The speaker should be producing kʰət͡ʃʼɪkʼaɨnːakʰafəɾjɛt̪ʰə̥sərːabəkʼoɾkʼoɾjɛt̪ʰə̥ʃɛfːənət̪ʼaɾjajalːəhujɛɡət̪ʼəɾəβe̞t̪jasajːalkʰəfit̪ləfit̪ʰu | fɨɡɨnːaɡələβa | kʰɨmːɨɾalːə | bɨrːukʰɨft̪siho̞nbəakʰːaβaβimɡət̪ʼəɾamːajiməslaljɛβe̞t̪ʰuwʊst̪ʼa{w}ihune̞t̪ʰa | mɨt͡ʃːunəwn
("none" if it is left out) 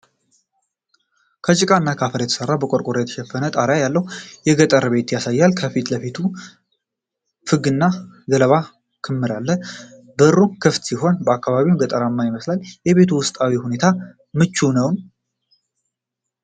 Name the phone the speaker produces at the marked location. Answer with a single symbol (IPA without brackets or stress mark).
w